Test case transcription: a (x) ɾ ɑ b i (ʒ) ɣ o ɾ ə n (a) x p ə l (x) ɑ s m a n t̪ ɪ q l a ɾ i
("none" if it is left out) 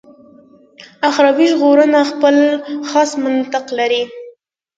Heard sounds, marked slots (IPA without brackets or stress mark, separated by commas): x, ʒ, a, x